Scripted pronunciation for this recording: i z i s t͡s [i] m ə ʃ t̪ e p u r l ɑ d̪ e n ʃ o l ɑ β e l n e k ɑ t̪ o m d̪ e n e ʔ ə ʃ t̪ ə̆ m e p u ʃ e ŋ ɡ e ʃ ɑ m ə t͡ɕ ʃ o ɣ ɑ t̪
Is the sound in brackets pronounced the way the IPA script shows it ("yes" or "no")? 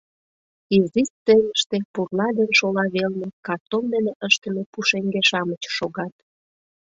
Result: no